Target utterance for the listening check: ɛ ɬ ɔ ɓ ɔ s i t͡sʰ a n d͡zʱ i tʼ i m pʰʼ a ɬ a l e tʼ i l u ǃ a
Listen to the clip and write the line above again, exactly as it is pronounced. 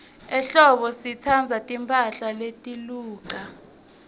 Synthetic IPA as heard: ɛ ɬ ɔ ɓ ɔ s i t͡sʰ a n d͡zʱ a tʼ i m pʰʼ a ɬ a l e tʼ i l uː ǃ a

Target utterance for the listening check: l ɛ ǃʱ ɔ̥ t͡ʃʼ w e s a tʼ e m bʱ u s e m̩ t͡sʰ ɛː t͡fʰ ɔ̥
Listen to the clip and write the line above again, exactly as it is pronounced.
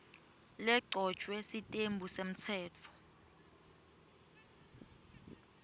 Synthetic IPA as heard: l ɛ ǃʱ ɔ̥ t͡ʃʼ w ɛ s i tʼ e m bʱ u s e m̩ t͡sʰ ɛː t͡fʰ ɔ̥

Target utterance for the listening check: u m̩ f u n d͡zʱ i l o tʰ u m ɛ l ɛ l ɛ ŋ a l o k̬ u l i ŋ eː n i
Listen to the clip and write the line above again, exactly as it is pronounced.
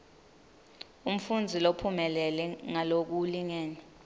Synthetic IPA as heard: u m̩ f u n d͡zʱ i l o pʰ u m ɛ l ɛ l ɛ ŋ a l o k̬ u l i ŋ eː n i

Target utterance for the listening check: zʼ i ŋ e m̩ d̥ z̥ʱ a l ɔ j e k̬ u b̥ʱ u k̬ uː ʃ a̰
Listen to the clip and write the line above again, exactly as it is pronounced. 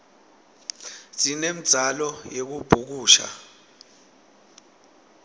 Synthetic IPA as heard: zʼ i n e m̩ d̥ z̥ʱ a l ɔ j e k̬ u b̥ʱ u k̬ uː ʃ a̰

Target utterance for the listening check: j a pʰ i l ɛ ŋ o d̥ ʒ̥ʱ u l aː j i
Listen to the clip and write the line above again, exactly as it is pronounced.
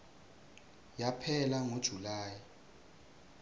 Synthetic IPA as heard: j a pʰ ɛ l a ŋ o d̥ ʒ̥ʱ u l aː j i

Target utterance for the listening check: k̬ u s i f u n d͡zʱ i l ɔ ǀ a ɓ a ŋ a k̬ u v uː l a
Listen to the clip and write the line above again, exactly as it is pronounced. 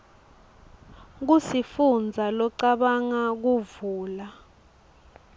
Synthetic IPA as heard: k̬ u s i f u n d͡zʱ a l ɔ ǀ a ɓ a ŋ a k̬ u v uː l a

